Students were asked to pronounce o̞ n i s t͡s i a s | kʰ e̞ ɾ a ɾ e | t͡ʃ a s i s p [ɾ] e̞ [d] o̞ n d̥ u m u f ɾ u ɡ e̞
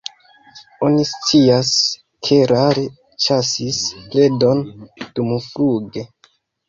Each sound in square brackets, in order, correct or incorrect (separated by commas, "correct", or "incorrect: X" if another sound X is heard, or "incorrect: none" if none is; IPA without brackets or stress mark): incorrect: l, correct